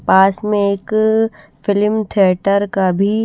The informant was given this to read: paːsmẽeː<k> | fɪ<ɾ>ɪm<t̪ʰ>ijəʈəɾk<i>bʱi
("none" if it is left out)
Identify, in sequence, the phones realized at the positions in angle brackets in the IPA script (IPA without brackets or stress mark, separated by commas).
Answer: k, l, t̪ʰ, a